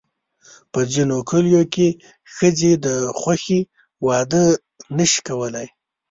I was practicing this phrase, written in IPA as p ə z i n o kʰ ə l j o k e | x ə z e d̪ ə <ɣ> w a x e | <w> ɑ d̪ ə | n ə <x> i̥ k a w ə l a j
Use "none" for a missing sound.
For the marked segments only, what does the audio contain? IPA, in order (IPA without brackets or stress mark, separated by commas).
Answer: x, w, ʃ